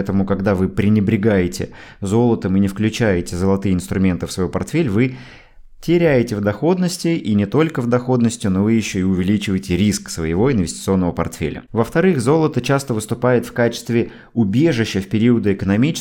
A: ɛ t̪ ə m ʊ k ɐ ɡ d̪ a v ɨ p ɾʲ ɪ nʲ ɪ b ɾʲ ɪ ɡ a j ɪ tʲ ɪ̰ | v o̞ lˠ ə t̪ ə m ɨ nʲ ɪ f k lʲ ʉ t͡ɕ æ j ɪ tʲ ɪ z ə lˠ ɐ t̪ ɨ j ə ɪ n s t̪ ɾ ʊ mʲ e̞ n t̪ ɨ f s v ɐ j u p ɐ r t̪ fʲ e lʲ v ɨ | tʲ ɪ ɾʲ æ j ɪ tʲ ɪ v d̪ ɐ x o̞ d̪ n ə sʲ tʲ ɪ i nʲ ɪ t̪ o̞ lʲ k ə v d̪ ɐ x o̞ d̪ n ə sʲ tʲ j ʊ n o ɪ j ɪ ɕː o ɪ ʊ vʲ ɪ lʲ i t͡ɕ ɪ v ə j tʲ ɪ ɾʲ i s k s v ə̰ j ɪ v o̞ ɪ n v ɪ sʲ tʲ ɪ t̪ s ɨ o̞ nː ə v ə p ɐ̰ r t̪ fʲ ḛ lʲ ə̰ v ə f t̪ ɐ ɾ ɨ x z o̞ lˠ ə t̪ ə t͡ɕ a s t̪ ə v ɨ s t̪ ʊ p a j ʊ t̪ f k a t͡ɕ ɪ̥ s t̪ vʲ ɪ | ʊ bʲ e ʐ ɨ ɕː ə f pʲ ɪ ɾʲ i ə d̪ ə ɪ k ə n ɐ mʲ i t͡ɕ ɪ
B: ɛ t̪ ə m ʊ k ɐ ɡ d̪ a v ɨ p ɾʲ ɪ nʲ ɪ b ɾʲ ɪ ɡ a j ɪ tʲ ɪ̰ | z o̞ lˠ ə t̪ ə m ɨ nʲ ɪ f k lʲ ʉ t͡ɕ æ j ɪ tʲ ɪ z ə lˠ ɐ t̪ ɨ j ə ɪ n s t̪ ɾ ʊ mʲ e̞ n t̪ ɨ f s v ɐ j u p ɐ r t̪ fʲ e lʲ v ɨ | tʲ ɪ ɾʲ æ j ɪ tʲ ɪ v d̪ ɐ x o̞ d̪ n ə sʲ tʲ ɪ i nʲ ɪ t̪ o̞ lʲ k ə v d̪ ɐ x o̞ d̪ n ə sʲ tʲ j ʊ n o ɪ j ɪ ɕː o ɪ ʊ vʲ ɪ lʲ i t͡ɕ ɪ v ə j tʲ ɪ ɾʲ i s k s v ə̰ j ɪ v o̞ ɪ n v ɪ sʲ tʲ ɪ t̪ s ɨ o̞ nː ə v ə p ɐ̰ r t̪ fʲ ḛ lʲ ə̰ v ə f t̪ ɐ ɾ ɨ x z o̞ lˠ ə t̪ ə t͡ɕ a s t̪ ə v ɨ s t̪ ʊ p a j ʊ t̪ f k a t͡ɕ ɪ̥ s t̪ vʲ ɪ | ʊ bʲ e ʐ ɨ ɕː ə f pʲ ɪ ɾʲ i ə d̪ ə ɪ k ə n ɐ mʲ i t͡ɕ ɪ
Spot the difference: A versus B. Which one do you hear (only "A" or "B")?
B